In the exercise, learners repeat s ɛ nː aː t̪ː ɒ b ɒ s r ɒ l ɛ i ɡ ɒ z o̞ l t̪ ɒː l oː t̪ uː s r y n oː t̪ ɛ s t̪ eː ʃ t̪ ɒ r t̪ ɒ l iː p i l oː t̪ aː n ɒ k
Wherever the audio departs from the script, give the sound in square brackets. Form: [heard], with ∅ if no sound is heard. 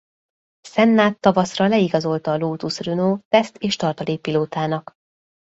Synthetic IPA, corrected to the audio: s ɛ nː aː t̪ː ɒ [v] ɒ s r ɒ l ɛ i ɡ ɒ z o̞ l t̪ ɒː l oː t̪ [u] s r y n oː t̪ ɛ s t̪ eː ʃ t̪ ɒ r t̪ ɒ l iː p i l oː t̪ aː n ɒ k

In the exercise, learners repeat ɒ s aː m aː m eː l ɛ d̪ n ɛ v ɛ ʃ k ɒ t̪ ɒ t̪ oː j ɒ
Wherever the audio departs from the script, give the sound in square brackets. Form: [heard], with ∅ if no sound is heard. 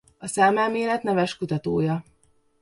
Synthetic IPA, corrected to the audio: ɒ s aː m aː m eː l ɛ [t̪] n ɛ v ɛ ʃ k [u] t̪ ɒ t̪ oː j ɒ

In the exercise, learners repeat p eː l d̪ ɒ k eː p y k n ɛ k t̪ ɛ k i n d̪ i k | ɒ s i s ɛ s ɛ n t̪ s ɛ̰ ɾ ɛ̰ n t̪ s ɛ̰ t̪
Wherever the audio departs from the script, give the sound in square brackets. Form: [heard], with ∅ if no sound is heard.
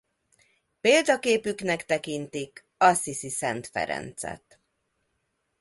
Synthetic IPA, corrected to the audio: p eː l d̪ ɒ k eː p y k n ɛ k t̪ ɛ k i n [t̪] i k | ɒ s i s [i] s ɛ n t̪ [f] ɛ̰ ɾ ɛ̰ n t̪ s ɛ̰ t̪

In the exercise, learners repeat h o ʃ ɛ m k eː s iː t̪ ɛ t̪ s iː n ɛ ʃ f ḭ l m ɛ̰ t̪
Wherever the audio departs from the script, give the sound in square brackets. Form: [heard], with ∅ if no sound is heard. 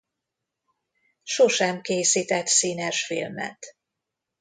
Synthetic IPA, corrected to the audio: [ʃ] o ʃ ɛ m k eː s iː t̪ ɛ t̪ s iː n ɛ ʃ f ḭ l m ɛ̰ t̪

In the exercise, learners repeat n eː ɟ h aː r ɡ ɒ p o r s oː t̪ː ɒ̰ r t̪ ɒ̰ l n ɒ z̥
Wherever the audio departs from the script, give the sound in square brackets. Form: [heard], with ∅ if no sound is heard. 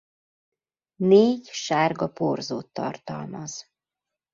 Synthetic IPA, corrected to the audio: n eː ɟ [ʃ] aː r ɡ ɒ p o r [z] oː t̪ː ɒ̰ r t̪ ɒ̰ l [m] ɒ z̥

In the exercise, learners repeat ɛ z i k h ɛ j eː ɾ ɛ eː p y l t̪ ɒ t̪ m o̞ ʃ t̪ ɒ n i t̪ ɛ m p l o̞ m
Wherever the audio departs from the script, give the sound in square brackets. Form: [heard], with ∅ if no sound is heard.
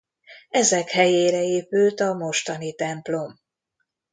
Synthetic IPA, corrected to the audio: ɛ z [ɛ] k h ɛ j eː ɾ ɛ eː p y l t̪ ɒ [∅] m o̞ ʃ t̪ ɒ n i t̪ ɛ m p l o̞ m

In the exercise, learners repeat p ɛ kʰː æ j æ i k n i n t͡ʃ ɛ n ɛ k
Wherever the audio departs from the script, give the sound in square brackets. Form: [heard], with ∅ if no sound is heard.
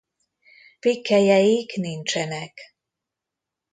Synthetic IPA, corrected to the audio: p [i] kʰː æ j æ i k n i n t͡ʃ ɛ n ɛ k

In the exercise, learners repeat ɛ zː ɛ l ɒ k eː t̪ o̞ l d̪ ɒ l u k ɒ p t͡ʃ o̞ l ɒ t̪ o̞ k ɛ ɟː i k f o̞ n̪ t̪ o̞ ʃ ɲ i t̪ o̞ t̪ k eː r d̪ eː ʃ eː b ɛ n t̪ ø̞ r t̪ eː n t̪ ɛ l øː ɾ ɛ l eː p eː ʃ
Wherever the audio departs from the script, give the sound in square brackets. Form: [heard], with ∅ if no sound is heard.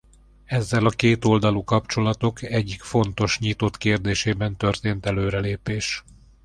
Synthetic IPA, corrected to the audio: ɛ zː ɛ l ɒ k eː t̪ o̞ l d̪ ɒ l u k ɒ p t͡ʃ o̞ l ɒ t̪ o̞ k ɛ ɟː i k f o̞ n̪ t̪ o̞ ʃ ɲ i t̪ o̞ t̪ k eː r d̪ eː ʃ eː b ɛ n t̪ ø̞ r t̪ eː n t̪ ɛ l øː ɾ ɛ l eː p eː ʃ

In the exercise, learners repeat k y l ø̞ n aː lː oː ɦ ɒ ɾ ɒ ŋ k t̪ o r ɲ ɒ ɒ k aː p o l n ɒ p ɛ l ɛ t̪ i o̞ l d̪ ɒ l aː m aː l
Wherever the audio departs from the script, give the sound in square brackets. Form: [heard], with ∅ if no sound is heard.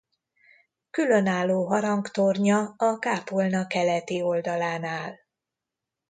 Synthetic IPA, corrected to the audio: k y l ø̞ n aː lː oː ɦ ɒ ɾ ɒ ŋ k t̪ o r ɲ ɒ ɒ k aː p o l n ɒ [k] ɛ l ɛ t̪ i o̞ l d̪ ɒ l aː [n] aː l

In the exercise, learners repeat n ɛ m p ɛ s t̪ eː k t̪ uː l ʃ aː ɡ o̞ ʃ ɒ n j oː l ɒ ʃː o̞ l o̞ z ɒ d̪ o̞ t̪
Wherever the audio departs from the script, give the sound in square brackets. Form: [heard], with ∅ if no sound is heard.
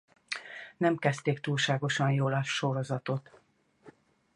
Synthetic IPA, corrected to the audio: n ɛ m [k] ɛ s t̪ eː k t̪ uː l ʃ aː ɡ o̞ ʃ ɒ n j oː l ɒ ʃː o̞ [ɾ] o̞ z ɒ [t̪] o̞ t̪

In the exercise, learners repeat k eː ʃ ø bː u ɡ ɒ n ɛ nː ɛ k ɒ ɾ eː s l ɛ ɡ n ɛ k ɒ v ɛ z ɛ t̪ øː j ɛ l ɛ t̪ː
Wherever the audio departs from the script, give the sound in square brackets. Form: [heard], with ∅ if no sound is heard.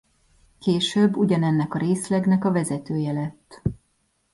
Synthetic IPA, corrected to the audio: k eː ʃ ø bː u [ɟ] ɒ n ɛ nː ɛ k ɒ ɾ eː s l ɛ ɡ n ɛ k ɒ v ɛ z ɛ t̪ øː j ɛ l ɛ t̪ː

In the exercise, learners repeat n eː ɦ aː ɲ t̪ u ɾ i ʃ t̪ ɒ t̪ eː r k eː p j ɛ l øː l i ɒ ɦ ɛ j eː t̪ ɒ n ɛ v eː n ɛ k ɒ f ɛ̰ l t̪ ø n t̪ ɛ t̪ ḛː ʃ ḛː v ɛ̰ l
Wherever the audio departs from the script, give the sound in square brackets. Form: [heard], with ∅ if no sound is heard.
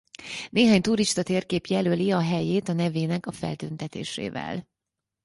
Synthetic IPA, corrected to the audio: n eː ɦ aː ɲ t̪ u ɾ i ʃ t̪ ɒ t̪ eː r k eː p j ɛ l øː l i ɒ ɦ ɛ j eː t̪ ɒ n ɛ v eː n ɛ k ɒ f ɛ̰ l t̪ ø n t̪ ɛ t̪ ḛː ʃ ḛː v ɛ̰ l

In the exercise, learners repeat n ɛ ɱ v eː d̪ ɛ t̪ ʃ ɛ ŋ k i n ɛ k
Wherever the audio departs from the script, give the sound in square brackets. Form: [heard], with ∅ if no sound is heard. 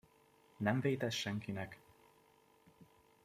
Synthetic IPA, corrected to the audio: n ɛ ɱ v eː [t̪] ɛ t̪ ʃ ɛ ŋ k i n ɛ k

